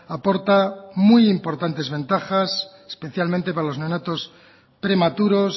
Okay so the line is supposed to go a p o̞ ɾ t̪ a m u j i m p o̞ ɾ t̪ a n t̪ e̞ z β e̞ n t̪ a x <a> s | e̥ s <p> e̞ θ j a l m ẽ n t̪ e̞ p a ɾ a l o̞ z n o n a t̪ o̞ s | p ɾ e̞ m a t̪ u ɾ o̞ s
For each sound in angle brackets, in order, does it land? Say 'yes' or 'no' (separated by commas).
yes, yes